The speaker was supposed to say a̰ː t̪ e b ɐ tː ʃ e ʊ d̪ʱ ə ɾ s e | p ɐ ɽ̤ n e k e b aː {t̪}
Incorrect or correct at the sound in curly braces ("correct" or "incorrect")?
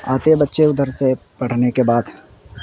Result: incorrect